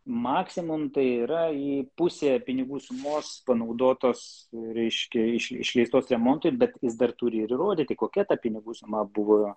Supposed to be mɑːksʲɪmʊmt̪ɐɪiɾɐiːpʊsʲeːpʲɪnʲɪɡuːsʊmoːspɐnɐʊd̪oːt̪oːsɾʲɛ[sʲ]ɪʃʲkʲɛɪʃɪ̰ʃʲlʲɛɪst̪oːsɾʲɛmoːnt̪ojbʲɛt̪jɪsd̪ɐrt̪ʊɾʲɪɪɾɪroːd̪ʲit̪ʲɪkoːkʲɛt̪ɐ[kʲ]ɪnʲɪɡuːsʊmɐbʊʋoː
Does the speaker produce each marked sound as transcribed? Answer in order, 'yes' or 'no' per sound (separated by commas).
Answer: no, no